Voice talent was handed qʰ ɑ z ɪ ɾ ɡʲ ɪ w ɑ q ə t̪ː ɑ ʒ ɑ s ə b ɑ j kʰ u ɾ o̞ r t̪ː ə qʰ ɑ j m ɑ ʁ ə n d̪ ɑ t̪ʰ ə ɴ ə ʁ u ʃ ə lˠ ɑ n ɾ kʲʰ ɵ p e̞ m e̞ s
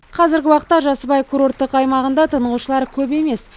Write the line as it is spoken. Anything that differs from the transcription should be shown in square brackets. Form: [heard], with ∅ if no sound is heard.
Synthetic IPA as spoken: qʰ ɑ z ɪ ɾ ɡʲ ɪ w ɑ q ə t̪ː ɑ ʒ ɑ s ə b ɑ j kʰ u ɾ o̞ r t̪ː ə [q] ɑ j m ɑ ʁ ə n d̪ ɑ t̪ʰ ə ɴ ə ʁ u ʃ ə lˠ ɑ [∅] ɾ kʲʰ ɵ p e̞ m e̞ s